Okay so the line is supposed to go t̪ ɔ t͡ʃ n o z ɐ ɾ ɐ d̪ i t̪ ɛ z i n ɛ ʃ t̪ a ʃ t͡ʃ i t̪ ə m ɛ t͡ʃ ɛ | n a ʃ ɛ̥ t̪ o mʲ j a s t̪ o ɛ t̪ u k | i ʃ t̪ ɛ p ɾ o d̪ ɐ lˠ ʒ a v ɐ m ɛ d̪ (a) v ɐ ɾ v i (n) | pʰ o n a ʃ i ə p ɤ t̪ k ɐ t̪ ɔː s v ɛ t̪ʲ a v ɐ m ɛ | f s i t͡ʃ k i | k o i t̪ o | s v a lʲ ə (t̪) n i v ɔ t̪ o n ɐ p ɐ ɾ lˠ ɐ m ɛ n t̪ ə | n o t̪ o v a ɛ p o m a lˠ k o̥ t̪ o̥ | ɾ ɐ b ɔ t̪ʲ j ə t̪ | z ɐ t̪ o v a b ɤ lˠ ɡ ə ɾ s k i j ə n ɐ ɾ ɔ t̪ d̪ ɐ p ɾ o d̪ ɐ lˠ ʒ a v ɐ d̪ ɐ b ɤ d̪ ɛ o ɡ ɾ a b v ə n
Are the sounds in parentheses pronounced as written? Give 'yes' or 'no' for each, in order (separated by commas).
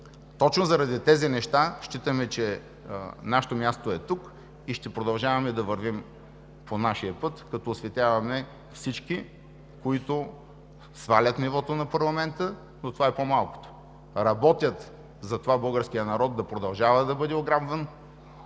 no, no, yes